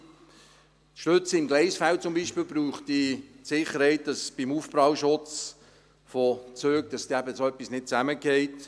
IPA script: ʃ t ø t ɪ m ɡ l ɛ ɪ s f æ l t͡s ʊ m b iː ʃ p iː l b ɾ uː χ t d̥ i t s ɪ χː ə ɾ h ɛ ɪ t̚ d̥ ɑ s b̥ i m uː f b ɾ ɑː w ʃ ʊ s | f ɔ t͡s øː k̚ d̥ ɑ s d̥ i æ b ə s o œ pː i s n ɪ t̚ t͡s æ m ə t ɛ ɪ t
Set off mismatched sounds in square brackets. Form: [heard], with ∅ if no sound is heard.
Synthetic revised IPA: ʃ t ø [t͡s] ɪ m ɡ l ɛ ɪ s f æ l t͡s ʊ m b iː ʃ p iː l b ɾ uː χ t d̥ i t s ɪ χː ə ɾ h ɛ ɪ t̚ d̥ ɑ s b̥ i m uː f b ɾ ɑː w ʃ ʊ [t͡s] | f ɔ t͡s øː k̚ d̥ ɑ s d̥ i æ b ə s o œ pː i s n ɪ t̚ t͡s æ m ə [k] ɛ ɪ t